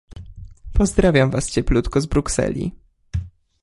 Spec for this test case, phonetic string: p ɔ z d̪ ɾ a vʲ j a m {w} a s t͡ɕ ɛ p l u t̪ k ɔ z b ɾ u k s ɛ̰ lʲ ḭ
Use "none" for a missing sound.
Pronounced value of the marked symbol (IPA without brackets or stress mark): v